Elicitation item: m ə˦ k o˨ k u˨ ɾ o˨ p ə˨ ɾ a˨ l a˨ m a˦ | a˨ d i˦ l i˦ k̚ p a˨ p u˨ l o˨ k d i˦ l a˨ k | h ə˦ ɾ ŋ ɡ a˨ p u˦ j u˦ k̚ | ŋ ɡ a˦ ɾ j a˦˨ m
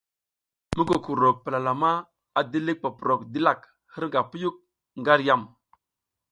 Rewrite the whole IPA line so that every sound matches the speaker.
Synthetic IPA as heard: m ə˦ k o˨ k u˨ ɾ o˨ p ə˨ l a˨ l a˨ m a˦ | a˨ d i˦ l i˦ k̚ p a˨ p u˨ ɾ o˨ k d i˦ l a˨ k | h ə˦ ɾ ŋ ɡ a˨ p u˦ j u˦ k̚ | ŋ ɡ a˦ ɾ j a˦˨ m